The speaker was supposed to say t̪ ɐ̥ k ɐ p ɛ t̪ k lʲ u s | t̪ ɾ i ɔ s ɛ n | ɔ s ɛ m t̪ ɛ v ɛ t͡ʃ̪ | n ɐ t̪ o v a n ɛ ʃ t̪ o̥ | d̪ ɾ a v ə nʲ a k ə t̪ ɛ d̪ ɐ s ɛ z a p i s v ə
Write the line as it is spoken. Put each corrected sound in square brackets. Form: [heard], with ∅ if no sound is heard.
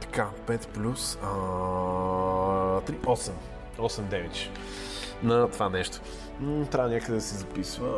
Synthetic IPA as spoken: t̪ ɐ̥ k [a] p ɛ t̪ [p] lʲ u s | t̪ ɾ i ɔ s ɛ [m] | ɔ s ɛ m [d̪] ɛ v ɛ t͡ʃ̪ | n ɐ t̪ o v a n ɛ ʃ t̪ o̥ | [t̪] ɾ a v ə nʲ a k ə [d̪] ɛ d̪ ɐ s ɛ z [ɐ] p i s v ə